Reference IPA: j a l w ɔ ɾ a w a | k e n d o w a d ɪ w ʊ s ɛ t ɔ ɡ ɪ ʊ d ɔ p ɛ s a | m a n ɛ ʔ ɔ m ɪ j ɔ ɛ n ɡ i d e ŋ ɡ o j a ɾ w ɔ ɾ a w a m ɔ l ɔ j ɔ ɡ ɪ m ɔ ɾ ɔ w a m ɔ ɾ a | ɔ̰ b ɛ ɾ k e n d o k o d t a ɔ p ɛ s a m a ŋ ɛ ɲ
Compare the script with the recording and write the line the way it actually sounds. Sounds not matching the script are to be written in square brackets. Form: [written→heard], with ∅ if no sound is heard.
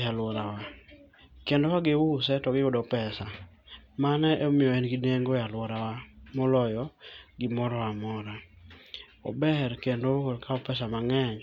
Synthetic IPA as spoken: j a l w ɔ ɾ a w a | k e n d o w a [d→ɡ] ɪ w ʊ s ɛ t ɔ ɡ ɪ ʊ d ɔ p ɛ s a | m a n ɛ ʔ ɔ m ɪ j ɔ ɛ n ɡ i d e ŋ ɡ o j a [ɾ→l] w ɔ ɾ a w a m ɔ l ɔ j ɔ ɡ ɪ m ɔ ɾ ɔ w a m ɔ ɾ a | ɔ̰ b ɛ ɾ k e n d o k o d [t→k] a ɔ p ɛ s a m a ŋ ɛ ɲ